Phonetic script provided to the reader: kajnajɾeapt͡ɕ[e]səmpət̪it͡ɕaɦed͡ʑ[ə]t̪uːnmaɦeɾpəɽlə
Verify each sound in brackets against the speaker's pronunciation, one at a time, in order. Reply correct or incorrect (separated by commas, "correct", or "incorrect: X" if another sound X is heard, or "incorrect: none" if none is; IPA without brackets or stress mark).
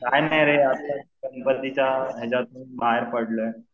incorrect: a, incorrect: a